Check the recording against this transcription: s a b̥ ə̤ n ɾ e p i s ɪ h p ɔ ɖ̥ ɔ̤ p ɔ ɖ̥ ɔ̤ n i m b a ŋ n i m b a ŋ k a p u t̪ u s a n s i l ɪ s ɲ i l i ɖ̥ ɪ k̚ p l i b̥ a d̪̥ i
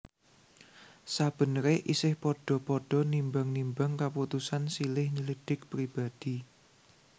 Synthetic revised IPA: s a b̥ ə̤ n ɾ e ʔ i s ɪ h p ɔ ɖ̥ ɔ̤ p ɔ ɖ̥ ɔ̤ n i m b a ŋ n i m b a ŋ k a p u t̪ u s a n s i l ɪ h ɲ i l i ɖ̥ ɪ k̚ p ɾ i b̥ a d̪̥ i